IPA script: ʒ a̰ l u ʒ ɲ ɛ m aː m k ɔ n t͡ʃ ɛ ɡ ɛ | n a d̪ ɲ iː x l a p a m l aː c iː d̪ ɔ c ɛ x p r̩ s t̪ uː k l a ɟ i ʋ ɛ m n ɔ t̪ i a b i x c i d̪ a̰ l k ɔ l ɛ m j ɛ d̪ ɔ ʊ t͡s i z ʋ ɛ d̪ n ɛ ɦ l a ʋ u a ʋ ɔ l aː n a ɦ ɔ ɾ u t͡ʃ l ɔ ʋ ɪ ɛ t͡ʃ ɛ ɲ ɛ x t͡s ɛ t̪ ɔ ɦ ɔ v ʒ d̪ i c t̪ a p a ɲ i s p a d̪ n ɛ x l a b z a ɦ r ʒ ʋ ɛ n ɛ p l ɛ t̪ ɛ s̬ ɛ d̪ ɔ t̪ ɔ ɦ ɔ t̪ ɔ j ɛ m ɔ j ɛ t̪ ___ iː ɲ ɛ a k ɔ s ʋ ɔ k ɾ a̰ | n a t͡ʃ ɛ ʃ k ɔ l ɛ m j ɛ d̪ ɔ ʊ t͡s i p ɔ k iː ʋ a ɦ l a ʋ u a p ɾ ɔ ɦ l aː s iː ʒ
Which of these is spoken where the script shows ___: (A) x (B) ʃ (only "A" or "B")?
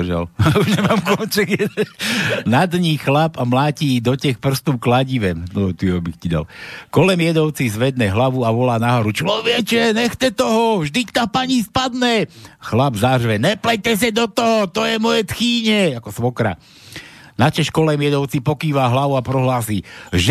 A